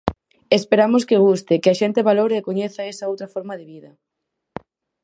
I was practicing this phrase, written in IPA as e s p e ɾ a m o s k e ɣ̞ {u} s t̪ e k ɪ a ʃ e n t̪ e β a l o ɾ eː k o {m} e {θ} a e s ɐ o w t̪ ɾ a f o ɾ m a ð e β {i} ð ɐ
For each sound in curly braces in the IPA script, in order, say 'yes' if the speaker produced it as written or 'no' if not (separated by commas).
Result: yes, no, yes, yes